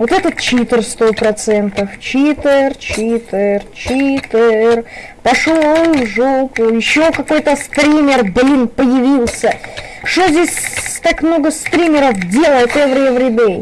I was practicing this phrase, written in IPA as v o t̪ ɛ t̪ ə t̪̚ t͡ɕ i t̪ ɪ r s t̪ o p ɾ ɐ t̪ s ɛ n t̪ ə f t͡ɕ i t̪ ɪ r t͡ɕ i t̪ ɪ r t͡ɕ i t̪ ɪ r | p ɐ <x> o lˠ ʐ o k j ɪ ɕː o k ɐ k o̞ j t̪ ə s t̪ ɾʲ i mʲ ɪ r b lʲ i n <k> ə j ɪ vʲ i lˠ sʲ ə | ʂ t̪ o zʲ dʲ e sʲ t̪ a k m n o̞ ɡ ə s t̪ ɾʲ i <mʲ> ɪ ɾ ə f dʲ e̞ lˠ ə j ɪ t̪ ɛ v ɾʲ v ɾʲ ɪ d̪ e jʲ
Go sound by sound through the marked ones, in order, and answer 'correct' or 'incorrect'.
incorrect: ʂ, incorrect: p, correct

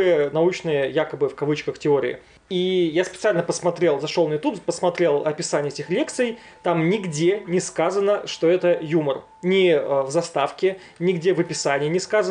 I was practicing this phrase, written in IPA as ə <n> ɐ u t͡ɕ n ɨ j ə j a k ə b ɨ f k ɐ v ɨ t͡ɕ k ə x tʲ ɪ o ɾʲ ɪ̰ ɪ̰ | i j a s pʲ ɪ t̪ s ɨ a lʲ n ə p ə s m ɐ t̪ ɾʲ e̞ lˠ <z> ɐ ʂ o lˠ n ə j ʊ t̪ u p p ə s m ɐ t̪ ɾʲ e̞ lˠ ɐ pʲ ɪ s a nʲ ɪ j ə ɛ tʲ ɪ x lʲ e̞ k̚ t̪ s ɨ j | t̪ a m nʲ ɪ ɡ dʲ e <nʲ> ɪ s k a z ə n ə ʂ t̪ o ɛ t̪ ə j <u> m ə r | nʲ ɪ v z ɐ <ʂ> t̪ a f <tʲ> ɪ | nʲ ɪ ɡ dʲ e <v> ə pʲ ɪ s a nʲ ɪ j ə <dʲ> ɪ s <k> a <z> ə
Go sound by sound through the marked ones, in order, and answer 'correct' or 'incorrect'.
correct, correct, correct, correct, incorrect: s, incorrect: kʲ, correct, incorrect: nʲ, correct, correct

